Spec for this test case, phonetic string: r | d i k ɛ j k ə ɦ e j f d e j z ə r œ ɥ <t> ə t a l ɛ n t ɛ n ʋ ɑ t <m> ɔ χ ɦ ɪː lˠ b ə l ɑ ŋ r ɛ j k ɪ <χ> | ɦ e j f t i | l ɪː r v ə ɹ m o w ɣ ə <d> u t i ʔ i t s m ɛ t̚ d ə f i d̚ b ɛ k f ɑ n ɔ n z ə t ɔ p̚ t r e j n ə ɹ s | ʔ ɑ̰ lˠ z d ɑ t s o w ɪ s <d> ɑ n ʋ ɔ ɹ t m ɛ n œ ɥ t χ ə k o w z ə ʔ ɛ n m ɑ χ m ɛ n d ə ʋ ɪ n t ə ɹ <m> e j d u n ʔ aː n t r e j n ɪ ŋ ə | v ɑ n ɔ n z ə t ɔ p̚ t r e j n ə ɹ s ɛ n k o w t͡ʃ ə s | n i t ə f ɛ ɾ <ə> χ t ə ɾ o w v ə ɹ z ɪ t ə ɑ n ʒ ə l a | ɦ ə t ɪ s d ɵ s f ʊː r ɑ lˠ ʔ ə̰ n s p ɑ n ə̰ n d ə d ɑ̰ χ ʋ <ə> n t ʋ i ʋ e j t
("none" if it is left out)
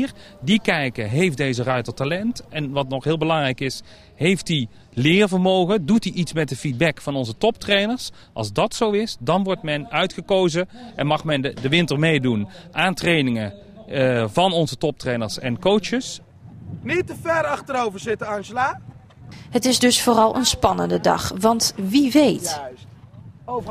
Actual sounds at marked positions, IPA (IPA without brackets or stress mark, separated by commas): t, n, s, d, d, m, ɑ, ɑ